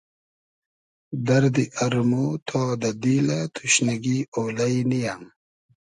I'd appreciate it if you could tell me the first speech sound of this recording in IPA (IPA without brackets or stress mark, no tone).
d̪